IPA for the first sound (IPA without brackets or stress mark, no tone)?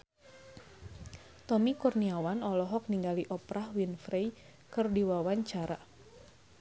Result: t̪